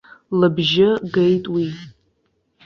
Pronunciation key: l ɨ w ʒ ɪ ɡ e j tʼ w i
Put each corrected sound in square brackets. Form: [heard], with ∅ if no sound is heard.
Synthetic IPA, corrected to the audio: l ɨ [b] ʒ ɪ ɡ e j tʼ w i